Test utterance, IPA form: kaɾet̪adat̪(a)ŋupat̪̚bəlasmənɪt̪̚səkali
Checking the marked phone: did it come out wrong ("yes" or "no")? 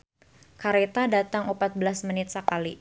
no